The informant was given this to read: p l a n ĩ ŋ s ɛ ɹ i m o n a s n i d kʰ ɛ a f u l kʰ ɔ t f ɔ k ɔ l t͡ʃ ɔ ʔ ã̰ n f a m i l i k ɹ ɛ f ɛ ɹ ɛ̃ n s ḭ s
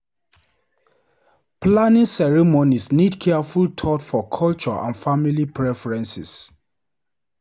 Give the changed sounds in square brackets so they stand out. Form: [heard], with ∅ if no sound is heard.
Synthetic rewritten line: p l a n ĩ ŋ s ɛ ɹ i m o n [i] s n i d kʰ ɛ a f u l [tʰ] ɔ t f ɔ [kʰ] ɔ l t͡ʃ ɔ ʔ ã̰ n f a m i l i [p] ɹ ɛ f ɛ ɹ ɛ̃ n s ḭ s